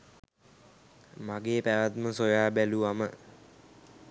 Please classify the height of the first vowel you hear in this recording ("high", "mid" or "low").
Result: low